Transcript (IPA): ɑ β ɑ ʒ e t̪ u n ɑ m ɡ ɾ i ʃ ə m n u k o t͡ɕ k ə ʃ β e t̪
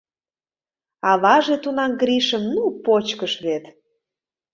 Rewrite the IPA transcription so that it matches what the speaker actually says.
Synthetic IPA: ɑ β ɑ ʒ e t̪ u n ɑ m ɡ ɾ i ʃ ə m n u p o t͡ɕ k ə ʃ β e t̪